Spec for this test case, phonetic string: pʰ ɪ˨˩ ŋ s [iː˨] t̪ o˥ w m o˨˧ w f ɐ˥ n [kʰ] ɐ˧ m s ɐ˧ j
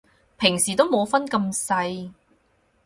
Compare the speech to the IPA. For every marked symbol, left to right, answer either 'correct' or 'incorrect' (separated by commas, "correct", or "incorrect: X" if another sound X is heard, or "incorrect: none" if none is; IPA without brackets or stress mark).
correct, incorrect: k